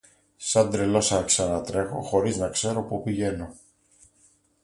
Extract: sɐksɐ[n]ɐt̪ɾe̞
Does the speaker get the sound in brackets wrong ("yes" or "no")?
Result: no